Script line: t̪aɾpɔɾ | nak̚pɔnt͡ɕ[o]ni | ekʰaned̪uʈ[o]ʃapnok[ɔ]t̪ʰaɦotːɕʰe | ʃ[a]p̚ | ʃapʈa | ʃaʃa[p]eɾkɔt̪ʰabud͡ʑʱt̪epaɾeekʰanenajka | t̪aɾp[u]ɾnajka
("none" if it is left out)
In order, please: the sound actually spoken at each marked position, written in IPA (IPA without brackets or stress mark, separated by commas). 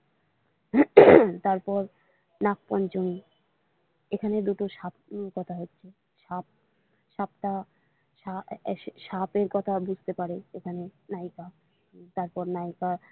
o, o, ɔ, a, p, ɔ